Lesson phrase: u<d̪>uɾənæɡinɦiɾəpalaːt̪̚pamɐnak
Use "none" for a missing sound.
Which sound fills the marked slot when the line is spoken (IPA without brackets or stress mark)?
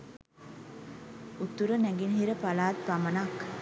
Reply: t̪